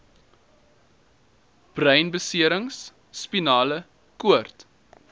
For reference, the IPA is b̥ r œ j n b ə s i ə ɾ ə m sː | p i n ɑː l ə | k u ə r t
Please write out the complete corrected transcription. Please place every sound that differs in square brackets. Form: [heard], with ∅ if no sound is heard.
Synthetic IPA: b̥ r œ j n b ə s i ə ɾ ə [ŋ] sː | p i n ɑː l ə | k u ə r t